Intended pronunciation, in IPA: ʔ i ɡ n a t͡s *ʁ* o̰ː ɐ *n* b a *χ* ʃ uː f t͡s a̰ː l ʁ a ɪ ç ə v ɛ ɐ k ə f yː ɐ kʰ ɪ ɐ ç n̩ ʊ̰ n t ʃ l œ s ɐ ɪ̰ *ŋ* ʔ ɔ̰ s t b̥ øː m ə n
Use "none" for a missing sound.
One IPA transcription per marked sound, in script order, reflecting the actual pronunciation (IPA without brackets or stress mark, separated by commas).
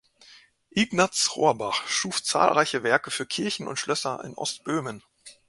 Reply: ʁ, none, χ, n